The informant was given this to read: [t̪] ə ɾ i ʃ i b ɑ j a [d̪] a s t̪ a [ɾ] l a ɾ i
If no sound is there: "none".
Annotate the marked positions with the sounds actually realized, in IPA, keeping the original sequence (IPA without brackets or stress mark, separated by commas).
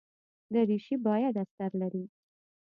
d̪, d̪, ɾ